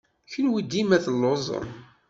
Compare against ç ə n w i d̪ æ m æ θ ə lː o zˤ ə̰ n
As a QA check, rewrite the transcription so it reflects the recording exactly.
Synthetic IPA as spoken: ç ə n w i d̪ i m æ θ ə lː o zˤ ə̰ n